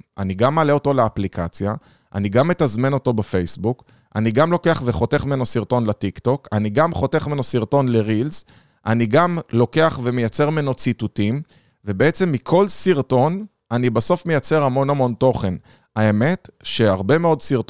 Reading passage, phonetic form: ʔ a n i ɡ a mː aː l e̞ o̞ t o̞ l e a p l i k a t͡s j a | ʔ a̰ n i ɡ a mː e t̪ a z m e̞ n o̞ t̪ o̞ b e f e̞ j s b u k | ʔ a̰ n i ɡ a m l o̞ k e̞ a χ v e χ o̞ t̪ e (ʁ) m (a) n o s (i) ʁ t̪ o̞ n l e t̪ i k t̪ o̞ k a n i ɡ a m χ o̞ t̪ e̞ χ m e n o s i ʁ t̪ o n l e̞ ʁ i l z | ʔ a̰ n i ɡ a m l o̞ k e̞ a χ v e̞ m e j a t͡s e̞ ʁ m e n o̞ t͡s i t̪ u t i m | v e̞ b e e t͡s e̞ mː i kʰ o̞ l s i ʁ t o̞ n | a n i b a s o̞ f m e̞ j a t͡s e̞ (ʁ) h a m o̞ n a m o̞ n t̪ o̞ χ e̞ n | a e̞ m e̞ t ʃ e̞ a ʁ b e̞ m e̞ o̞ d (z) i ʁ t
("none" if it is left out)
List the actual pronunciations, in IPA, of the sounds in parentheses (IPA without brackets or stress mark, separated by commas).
χ, e, i, ʁ, s